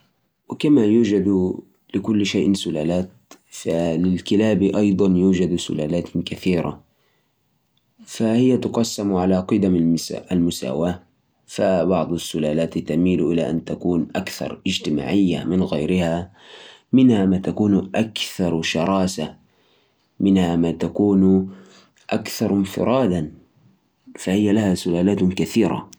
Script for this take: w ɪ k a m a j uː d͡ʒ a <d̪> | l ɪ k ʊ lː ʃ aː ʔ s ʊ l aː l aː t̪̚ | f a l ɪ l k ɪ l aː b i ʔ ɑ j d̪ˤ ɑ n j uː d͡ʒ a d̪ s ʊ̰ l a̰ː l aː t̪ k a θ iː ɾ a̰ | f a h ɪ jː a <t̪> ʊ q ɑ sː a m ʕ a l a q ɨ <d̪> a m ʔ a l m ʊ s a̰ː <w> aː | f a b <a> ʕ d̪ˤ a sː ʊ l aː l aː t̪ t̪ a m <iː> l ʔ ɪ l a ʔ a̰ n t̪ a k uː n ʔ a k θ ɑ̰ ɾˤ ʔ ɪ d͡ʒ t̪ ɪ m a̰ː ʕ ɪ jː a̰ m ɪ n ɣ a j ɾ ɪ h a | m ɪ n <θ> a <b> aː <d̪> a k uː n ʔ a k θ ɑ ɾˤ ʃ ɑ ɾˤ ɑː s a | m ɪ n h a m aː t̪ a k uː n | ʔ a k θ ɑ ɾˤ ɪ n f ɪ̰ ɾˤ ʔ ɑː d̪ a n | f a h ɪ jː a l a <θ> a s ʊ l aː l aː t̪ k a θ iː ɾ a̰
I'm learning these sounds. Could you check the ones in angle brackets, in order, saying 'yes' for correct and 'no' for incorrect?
yes, yes, yes, yes, no, yes, no, no, no, no

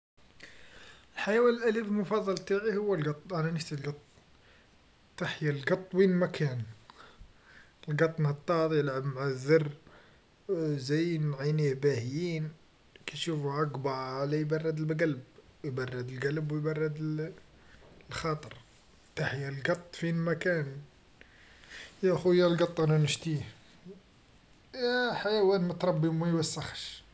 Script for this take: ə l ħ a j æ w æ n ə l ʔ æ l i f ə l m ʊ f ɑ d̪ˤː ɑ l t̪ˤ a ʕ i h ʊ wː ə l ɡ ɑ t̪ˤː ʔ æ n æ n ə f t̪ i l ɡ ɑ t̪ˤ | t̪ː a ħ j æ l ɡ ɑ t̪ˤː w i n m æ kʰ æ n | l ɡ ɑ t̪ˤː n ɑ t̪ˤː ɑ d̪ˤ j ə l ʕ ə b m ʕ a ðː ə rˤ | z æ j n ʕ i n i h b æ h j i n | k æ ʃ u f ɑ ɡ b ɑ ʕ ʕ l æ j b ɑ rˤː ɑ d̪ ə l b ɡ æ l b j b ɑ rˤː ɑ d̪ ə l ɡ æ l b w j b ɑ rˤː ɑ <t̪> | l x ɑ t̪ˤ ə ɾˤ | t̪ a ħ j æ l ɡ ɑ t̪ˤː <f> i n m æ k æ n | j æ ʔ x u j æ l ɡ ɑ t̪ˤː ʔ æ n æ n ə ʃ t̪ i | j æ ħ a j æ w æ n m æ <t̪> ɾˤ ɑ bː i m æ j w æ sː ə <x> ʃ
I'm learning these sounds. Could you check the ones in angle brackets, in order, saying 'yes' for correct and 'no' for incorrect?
no, yes, yes, yes

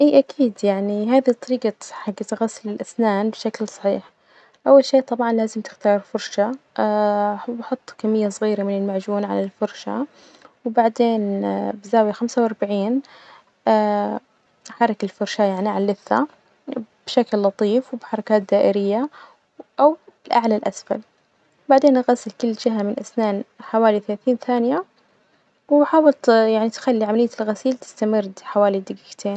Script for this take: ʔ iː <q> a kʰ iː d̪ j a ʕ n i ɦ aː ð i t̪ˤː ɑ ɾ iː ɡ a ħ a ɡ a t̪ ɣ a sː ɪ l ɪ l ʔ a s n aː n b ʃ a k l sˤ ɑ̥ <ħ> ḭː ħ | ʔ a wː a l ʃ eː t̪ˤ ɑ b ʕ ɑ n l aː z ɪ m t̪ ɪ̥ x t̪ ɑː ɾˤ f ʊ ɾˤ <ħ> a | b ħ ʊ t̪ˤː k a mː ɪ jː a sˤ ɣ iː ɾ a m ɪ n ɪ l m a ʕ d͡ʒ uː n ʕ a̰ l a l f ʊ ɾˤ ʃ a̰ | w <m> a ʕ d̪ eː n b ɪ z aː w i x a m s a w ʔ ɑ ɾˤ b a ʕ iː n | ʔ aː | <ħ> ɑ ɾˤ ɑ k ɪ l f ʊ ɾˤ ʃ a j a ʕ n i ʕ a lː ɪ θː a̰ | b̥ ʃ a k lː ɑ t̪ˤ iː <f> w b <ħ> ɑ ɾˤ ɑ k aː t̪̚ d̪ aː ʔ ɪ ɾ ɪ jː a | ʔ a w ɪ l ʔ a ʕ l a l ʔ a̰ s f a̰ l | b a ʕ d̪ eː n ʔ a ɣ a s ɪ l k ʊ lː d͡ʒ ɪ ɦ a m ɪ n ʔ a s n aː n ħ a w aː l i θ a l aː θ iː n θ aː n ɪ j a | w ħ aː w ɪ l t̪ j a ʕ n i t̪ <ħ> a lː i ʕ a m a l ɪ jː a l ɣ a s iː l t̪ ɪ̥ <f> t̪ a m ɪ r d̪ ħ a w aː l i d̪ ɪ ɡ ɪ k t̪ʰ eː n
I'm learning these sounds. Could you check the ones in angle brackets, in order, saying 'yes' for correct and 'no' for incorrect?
no, yes, no, no, yes, yes, yes, no, no

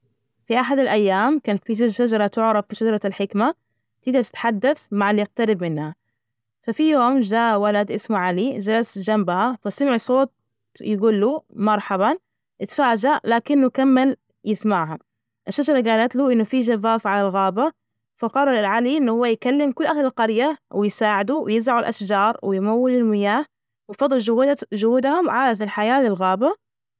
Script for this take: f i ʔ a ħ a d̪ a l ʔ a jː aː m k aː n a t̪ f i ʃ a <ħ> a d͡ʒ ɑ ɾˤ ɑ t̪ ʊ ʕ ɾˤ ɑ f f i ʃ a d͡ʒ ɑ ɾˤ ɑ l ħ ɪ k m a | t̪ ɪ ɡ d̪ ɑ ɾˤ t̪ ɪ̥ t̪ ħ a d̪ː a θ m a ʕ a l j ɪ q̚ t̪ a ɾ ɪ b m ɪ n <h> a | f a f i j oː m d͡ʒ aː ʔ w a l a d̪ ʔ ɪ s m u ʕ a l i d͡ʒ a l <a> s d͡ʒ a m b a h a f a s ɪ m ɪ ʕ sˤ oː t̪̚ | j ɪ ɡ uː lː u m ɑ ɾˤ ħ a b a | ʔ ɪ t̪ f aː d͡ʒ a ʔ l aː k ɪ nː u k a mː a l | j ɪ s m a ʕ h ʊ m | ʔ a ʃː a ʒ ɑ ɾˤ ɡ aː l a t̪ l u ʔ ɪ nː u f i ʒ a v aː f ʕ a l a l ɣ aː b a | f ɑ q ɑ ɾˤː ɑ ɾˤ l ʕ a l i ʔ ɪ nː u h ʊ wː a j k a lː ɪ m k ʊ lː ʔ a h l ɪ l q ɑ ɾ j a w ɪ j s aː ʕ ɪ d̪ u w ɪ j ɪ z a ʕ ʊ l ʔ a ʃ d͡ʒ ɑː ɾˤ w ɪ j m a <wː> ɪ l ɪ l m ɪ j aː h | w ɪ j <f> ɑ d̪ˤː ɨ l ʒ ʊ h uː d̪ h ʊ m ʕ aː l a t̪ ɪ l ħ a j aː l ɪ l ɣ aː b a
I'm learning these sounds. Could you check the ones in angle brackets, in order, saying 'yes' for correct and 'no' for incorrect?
no, yes, yes, yes, yes

